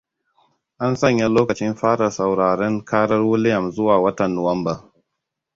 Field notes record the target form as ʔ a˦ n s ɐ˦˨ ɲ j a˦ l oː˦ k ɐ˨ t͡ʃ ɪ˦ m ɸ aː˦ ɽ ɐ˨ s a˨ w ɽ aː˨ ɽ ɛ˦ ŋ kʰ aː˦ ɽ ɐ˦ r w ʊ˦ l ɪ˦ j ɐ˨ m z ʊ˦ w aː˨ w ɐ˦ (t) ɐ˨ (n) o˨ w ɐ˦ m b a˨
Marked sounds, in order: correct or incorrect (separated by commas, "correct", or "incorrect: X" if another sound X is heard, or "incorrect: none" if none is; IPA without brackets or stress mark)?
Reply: correct, incorrect: nː